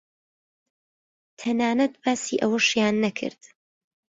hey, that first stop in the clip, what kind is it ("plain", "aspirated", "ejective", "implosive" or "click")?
aspirated